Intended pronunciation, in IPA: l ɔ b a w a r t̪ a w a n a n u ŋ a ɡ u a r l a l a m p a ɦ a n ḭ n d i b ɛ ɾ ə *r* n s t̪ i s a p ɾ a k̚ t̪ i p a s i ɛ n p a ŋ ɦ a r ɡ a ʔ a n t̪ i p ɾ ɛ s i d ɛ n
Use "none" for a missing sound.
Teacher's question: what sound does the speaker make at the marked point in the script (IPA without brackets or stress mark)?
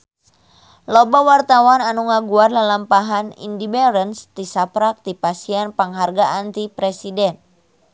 none